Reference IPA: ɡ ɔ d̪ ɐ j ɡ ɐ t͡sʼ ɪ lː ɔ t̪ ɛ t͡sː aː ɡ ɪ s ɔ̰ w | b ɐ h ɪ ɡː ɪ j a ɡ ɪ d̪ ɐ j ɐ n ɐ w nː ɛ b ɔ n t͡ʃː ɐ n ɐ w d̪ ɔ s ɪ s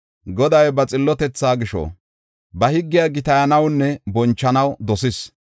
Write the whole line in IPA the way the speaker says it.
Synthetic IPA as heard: ɡ ɔ d̪ ɐ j b ɐ t͡sʼ ɪ lː ɔ t̪ ɛ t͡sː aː ɡ ɪ ʃ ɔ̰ | b ɐ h ɪ ɡː ɪ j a ɡ ɪ t̪ ɐ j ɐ n ɐ w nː ɛ b ɔ n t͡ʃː ɐ n ɐ w d̪ ɔ s ɪ s